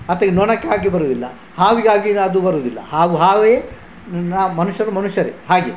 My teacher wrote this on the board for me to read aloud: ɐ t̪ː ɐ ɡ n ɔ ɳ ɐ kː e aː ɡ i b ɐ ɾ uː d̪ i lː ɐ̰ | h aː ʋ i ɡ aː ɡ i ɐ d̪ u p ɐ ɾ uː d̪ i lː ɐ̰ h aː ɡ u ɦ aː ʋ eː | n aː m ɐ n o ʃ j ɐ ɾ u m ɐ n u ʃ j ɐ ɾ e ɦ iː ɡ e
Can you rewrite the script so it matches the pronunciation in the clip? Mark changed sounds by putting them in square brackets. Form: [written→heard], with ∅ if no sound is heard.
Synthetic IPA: ɐ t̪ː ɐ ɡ n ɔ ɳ ɐ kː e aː ɡ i b ɐ ɾ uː d̪ i lː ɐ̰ | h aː ʋ i ɡ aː ɡ i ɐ d̪ u [p→b] ɐ ɾ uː d̪ i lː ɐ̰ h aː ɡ u ɦ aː ʋ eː | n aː m ɐ n [o→u] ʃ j ɐ ɾ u m ɐ n u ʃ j ɐ ɾ e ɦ [iː→aː] ɡ e

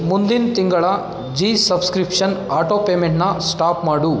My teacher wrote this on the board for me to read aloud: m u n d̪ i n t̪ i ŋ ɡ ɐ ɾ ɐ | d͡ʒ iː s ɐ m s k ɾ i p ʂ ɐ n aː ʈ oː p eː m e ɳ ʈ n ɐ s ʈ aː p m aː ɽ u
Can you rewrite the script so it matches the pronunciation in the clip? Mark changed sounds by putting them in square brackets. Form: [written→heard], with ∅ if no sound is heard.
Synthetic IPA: m u n d̪ i n t̪ i ŋ ɡ ɐ [ɾ→ɭ] ɐ | d͡ʒ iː s ɐ [m→b] s k ɾ i p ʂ ɐ n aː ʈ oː p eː m e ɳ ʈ n ɐ s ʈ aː p m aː ɽ u

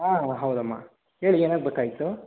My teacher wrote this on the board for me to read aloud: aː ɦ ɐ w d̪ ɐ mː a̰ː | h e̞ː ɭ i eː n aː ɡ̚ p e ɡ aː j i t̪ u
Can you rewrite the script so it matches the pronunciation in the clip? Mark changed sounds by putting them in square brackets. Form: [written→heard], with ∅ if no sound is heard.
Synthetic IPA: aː ɦ ɐ w d̪ ɐ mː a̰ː | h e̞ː ɭ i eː n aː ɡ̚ [p→b] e [ɡ→k] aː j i t̪ u

